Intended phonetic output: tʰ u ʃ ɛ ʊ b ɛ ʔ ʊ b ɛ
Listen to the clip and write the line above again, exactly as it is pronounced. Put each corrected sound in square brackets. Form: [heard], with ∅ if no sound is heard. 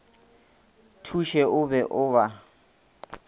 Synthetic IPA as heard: tʰ u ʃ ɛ ʊ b ɛ ʔ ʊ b [a]